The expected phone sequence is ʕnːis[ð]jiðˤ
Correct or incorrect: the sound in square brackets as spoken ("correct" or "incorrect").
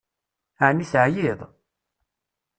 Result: incorrect